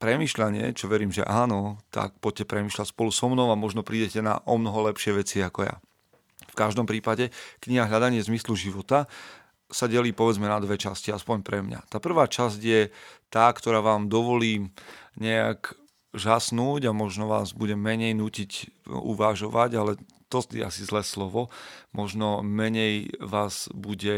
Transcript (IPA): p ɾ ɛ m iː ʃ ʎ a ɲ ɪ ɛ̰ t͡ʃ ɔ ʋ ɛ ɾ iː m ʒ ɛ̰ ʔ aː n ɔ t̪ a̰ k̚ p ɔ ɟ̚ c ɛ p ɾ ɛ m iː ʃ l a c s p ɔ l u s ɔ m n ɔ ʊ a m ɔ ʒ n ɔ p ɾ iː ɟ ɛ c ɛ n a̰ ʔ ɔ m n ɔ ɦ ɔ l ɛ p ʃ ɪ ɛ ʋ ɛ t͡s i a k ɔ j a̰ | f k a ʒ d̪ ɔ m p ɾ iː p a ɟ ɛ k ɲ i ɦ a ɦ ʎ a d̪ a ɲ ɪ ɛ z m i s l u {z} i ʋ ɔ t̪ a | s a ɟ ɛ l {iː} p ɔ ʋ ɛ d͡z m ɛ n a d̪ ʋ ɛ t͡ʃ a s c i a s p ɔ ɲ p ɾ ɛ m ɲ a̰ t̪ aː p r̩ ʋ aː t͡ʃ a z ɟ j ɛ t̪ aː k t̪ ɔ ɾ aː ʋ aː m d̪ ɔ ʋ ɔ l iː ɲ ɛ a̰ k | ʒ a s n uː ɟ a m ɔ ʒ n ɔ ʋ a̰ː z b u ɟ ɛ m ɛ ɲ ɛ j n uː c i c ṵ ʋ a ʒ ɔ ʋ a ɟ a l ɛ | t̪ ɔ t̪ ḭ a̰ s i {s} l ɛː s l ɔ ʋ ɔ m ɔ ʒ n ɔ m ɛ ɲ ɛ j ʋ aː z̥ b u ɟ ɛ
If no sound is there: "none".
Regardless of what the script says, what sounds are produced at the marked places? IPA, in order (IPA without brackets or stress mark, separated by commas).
ʒ, iː, z